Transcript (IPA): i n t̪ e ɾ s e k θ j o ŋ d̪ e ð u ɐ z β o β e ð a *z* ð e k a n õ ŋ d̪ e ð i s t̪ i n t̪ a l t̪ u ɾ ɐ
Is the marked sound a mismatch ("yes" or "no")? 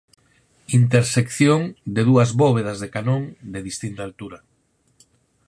no